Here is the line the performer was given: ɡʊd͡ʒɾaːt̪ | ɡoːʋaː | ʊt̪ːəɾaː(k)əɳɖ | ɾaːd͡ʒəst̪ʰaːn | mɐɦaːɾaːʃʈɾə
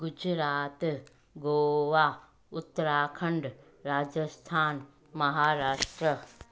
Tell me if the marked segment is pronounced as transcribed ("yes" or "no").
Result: no